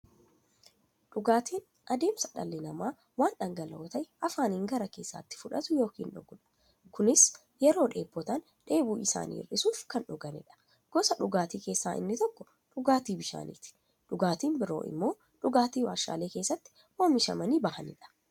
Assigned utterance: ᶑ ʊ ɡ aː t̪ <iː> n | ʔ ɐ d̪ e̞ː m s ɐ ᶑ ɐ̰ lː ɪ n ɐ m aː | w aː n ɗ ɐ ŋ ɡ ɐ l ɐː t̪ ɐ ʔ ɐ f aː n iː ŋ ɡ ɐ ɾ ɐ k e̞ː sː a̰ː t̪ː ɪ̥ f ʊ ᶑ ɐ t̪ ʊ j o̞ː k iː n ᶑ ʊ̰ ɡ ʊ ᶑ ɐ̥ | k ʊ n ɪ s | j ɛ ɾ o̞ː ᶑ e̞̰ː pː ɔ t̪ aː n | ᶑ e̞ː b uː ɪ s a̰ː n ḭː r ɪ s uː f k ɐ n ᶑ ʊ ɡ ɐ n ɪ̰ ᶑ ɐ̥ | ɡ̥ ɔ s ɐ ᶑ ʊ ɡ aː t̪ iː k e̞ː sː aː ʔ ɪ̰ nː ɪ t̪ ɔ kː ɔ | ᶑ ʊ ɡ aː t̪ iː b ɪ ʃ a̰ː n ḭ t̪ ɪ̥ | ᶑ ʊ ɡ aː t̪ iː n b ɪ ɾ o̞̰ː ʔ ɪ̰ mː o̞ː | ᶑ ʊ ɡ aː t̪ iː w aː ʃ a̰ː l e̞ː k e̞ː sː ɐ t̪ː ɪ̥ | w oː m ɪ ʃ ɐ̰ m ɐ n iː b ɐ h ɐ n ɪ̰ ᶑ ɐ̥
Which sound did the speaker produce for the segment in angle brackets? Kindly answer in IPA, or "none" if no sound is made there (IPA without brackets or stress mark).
iː